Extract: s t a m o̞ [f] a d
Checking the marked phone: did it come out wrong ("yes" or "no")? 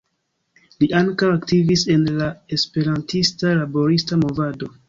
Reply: yes